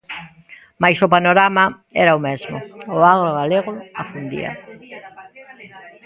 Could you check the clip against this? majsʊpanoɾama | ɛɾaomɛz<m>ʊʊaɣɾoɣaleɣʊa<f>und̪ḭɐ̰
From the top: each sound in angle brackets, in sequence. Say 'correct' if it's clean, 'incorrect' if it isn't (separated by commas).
correct, correct